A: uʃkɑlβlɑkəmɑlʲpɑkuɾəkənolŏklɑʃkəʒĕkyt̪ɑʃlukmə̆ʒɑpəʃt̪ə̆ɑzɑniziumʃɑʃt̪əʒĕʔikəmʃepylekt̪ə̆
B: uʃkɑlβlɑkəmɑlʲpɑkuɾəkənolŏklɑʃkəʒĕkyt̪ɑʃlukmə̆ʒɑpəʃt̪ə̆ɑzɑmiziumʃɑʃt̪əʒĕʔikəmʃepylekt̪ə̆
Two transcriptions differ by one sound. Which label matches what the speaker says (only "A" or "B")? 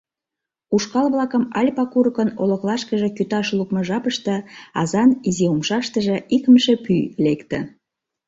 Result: A